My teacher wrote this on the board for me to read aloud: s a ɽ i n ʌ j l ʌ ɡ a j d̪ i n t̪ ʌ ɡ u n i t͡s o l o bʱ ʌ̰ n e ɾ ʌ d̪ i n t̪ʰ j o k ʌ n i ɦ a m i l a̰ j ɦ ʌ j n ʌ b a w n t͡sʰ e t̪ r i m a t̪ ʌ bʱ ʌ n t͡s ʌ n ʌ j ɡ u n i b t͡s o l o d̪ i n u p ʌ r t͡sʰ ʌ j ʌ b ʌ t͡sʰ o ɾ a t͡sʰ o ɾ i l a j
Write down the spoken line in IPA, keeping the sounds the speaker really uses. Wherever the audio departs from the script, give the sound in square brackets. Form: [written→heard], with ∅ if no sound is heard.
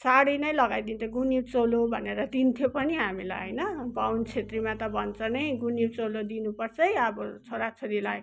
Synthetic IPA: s a ɽ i n ʌ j l ʌ ɡ a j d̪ i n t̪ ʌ ɡ u n i t͡s o l o bʱ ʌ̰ n e ɾ ʌ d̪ i n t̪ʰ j o [k→p] ʌ n i ɦ a m i l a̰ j ɦ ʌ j n ʌ b a w n t͡sʰ e t̪ r i m a t̪ ʌ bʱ ʌ n t͡s ʌ n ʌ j ɡ u n i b t͡s o l o d̪ i n u p ʌ r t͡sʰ ʌ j ʌ b ʌ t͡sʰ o ɾ a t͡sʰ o ɾ i l a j